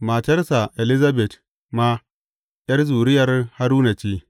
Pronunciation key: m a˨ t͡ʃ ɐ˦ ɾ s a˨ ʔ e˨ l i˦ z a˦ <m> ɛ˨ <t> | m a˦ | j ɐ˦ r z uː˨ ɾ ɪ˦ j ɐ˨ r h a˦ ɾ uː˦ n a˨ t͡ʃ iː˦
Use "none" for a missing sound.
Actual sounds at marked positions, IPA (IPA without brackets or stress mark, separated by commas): b, t